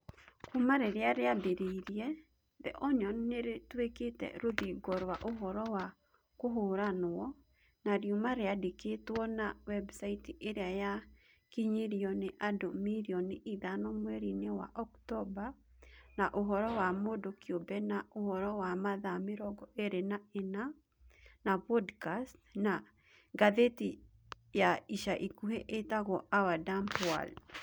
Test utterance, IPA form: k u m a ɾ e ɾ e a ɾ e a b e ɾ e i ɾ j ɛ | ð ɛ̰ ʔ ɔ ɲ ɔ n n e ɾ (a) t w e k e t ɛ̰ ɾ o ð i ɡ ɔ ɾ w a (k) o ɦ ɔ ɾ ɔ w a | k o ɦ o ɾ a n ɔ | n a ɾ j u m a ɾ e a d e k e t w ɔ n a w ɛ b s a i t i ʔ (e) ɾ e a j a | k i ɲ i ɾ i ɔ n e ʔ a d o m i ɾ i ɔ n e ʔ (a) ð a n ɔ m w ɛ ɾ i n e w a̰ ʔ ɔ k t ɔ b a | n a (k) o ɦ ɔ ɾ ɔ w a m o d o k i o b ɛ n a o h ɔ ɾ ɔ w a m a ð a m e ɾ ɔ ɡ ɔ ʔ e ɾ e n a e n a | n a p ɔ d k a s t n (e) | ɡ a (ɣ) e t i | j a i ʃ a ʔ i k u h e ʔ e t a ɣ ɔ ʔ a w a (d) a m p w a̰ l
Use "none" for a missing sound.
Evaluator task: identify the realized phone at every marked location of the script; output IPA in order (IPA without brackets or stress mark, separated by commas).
e, ʔ, e, i, ʔ, a, ð, d